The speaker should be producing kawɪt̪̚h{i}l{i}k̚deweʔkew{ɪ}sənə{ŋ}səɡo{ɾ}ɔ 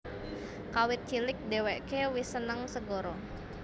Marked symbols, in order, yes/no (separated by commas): yes, no, no, yes, yes